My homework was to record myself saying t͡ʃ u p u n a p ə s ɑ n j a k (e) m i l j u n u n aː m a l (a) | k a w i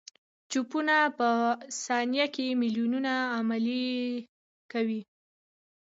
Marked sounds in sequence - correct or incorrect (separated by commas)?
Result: correct, incorrect